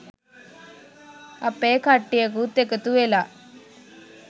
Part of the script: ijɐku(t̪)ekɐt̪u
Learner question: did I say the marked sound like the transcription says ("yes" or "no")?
yes